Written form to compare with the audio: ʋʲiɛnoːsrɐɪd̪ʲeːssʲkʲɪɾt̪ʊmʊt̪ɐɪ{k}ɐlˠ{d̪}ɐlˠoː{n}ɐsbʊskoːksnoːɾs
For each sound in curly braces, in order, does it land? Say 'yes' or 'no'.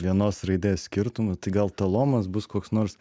no, no, no

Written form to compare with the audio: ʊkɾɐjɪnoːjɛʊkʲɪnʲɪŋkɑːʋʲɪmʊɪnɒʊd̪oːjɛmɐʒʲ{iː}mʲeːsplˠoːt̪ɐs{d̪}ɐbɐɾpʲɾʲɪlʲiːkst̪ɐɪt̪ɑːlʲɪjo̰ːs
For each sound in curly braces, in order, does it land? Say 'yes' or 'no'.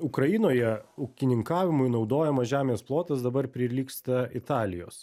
no, yes

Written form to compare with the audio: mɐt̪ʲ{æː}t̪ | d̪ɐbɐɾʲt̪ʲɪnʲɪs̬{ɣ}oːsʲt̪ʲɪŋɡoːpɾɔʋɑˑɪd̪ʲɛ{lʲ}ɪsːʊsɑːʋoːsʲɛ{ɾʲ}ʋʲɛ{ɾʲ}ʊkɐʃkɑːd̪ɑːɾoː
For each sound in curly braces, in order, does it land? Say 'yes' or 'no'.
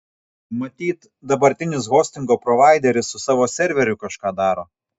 no, yes, no, yes, yes

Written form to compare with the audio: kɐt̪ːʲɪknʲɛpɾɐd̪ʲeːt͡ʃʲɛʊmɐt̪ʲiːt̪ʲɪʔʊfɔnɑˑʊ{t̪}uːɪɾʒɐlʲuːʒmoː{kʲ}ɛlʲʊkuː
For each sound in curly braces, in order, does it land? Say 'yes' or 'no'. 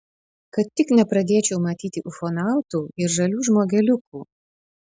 yes, no

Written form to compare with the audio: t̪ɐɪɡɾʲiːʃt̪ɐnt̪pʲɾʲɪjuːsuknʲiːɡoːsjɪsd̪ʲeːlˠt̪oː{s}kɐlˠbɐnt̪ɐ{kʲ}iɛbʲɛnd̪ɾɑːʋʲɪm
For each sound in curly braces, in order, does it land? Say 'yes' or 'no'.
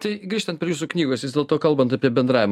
no, no

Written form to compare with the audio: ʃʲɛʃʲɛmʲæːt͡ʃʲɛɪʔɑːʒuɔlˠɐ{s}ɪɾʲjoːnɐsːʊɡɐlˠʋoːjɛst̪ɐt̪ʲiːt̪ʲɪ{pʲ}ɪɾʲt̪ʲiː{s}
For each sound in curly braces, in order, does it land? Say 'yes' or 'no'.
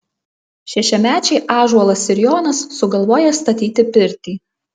yes, yes, no

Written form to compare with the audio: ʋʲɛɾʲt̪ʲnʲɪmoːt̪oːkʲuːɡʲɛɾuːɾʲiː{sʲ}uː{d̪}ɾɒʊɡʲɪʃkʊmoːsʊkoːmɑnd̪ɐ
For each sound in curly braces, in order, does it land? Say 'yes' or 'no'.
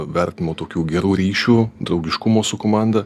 no, yes

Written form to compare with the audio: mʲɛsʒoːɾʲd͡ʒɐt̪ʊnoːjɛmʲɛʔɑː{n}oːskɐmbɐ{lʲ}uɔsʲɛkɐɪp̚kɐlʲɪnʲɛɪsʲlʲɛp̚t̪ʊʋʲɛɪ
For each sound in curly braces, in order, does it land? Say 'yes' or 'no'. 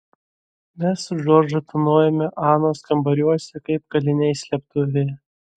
yes, no

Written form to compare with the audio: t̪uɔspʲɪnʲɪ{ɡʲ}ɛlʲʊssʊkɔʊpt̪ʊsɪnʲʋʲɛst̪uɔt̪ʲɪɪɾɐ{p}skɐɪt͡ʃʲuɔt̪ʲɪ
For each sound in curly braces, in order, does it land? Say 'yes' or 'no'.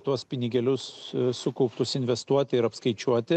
yes, yes

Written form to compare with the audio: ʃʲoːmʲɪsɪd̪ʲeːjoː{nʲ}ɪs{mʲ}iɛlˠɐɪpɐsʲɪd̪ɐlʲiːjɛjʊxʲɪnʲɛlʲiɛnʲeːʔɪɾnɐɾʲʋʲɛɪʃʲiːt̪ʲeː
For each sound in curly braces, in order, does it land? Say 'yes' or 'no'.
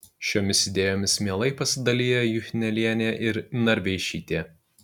no, yes

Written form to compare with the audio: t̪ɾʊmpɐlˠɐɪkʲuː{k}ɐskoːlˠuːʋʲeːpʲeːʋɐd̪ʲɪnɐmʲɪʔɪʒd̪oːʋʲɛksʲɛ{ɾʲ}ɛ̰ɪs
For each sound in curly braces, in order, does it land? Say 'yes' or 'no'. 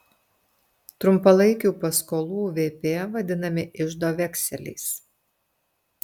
no, no

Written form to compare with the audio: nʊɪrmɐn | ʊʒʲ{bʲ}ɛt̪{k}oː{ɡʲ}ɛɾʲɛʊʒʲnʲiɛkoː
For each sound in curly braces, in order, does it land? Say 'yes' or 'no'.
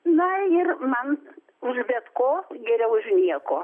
yes, yes, yes

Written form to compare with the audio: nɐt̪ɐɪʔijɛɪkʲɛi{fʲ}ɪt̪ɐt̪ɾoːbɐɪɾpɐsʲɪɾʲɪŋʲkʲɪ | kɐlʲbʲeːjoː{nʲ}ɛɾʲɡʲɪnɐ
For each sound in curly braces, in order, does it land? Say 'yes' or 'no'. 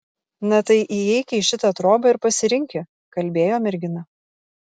no, no

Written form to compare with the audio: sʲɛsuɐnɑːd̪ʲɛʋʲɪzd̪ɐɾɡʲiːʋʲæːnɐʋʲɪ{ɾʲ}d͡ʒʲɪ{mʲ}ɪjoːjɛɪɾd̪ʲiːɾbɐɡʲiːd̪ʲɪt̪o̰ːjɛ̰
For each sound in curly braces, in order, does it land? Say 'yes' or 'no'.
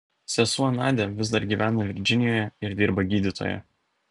yes, no

